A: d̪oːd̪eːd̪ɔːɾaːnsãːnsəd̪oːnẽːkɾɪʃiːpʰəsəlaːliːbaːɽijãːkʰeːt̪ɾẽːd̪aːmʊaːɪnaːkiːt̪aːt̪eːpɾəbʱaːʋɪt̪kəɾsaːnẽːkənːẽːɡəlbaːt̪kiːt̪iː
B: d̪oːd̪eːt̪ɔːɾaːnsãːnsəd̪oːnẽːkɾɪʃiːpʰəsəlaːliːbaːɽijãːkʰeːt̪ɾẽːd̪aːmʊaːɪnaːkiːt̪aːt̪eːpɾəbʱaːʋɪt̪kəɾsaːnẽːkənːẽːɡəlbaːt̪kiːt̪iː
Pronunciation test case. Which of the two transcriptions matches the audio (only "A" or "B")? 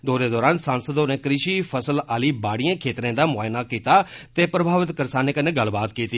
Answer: A